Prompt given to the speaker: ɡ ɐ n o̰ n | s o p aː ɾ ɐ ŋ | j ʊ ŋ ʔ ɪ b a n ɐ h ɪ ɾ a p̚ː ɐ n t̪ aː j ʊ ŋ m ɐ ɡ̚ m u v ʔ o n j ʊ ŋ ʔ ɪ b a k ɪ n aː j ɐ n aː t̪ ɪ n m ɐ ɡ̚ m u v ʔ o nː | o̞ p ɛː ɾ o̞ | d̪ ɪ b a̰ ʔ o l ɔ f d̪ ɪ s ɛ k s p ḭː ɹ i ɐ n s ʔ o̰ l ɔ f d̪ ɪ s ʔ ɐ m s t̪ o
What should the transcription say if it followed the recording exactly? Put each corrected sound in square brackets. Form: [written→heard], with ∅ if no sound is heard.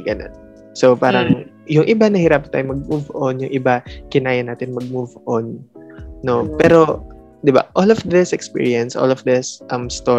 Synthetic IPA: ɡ ɐ n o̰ n | s o p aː ɾ ɐ ŋ | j ʊ ŋ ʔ ɪ b a n ɐ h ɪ ɾ a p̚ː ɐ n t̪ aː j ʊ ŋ m ɐ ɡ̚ m u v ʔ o n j ʊ ŋ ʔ ɪ b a k ɪ n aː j ɐ n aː t̪ ɪ n m ɐ ɡ̚ m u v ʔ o nː | o̞ p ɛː ɾ o̞ | d̪ ɪ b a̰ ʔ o l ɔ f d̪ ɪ s ɛ k s p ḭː ɹ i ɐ n s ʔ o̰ l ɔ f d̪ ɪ s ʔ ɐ m s t̪ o